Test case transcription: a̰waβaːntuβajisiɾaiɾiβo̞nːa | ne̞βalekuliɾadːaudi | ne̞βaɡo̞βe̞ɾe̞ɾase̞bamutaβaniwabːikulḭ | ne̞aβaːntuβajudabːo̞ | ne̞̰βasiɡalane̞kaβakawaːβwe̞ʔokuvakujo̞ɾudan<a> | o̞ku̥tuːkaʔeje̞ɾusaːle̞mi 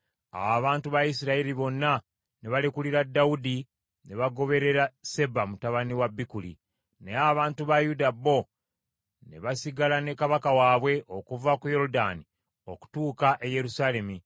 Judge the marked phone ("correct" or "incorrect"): incorrect